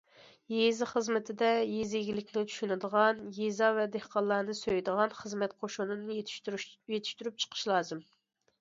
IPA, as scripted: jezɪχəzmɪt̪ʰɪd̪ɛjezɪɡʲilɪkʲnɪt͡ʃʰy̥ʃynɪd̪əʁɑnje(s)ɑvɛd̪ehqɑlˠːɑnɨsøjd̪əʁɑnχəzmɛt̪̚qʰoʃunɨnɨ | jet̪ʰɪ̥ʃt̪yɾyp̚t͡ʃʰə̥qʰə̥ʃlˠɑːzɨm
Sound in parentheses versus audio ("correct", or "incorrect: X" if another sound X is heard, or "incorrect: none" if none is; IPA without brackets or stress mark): incorrect: z